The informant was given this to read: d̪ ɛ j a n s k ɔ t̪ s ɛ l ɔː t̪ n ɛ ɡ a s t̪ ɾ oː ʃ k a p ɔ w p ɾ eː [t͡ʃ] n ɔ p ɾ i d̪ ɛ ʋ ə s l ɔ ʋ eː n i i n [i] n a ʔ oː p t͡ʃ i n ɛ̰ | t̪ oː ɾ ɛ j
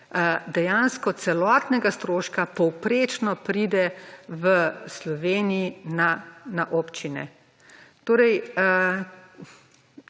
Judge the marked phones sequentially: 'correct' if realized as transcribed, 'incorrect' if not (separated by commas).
correct, incorrect